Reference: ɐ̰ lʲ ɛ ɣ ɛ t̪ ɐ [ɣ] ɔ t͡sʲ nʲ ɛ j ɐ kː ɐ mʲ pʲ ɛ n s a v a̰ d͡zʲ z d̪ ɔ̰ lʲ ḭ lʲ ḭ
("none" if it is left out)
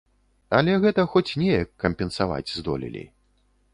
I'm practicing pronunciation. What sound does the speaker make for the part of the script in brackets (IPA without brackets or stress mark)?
x